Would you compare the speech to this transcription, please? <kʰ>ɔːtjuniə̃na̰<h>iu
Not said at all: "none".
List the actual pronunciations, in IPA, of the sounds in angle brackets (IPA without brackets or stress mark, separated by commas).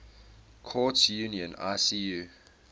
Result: kʰ, s